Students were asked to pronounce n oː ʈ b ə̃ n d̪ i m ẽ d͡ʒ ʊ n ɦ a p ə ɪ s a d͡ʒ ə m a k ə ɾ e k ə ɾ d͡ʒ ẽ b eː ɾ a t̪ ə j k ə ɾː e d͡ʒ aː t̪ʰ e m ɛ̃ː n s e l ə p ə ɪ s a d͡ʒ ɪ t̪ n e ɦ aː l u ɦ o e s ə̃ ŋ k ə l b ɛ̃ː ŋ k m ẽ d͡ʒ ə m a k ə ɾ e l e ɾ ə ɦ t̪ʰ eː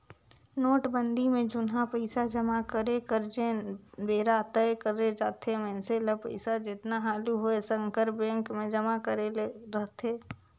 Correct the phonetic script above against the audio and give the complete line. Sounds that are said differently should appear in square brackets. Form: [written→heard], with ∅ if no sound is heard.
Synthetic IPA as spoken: n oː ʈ b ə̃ n d̪ i m ẽ d͡ʒ ʊ n ɦ a p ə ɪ s a d͡ʒ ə m a k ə ɾ e k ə ɾ d͡ʒ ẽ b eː ɾ a t̪ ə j k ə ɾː e d͡ʒ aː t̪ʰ e m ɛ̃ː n s e l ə p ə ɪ s a d͡ʒ ɪ t̪ n [e→a] ɦ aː l u ɦ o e s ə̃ ŋ k ə [l→ɾ] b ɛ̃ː ŋ k m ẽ d͡ʒ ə m a k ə ɾ e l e ɾ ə ɦ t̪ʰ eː